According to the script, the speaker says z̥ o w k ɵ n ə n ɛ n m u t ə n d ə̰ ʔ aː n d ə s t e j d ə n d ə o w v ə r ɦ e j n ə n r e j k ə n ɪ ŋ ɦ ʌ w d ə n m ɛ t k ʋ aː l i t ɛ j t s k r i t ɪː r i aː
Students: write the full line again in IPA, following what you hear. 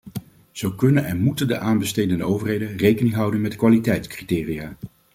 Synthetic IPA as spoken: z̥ o w k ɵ n ə n ɛ n m u t ə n d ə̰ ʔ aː n b ə s t e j d ə n d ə o w v ə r ɦ e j d ə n r e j k ə n ɪ ŋ ɦ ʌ w d ə n m ɛ t k ʋ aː l i t ɛ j t s k r i t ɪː r i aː